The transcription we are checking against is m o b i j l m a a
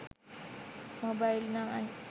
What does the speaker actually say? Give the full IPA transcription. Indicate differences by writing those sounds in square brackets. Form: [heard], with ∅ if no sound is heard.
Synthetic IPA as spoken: m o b [a] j l [n] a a